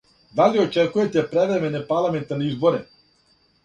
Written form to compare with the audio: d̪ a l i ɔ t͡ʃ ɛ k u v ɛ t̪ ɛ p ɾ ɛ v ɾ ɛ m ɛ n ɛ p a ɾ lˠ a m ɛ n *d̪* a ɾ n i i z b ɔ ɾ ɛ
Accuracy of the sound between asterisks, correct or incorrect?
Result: incorrect: t̪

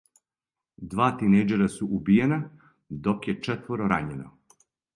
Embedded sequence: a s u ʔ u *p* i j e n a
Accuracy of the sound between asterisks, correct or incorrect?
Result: incorrect: b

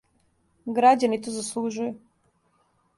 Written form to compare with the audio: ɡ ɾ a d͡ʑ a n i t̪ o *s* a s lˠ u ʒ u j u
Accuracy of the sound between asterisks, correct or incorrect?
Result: incorrect: z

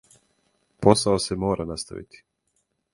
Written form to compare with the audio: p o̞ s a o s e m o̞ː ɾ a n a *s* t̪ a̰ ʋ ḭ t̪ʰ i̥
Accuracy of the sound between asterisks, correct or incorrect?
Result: correct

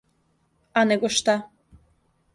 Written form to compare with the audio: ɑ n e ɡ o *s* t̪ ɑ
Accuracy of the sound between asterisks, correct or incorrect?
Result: incorrect: ʃ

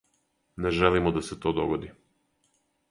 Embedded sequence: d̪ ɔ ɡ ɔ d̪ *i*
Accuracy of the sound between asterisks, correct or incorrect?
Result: correct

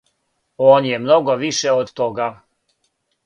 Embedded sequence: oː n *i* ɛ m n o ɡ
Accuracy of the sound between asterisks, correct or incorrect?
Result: incorrect: j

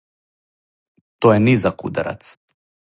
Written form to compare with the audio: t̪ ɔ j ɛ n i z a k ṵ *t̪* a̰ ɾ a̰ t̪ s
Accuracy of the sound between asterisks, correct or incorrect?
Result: incorrect: d̪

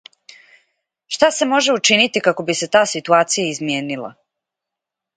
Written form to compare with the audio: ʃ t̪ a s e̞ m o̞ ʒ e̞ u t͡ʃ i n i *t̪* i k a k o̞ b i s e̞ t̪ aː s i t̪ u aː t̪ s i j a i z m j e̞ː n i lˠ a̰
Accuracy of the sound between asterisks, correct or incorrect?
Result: correct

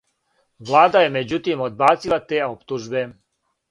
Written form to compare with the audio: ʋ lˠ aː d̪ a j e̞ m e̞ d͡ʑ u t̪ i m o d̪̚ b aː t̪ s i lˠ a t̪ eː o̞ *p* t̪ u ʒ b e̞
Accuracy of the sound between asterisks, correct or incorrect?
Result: correct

